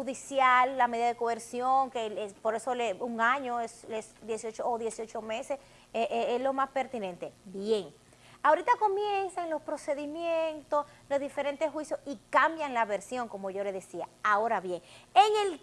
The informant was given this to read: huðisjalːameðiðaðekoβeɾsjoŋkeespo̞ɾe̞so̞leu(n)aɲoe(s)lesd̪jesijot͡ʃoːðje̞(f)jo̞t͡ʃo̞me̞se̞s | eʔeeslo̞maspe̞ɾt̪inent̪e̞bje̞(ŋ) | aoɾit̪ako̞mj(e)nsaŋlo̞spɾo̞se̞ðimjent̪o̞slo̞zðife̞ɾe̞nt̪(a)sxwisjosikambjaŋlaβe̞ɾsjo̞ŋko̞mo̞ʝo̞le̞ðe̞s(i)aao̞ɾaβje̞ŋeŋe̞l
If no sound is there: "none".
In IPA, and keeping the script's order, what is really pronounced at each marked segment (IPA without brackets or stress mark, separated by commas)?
ŋ, s, s, ŋ, e, e, i